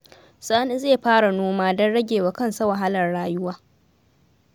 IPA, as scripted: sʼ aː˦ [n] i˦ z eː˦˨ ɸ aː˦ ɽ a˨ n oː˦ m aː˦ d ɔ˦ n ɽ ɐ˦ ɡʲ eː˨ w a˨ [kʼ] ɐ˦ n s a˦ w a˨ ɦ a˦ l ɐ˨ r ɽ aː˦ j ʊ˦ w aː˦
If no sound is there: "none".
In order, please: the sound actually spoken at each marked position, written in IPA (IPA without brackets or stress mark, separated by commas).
n, k